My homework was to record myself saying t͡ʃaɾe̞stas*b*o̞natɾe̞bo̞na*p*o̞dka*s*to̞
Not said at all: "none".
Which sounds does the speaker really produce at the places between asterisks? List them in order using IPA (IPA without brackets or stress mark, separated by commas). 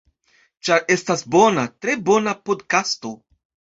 b, p, s